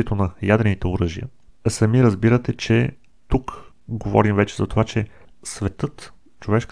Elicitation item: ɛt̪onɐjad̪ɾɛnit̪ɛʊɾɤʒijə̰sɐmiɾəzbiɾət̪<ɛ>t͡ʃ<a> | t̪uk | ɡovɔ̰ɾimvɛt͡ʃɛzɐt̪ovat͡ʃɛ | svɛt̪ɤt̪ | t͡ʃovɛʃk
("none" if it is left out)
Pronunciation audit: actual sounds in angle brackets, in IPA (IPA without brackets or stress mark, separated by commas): ɛ, ɛ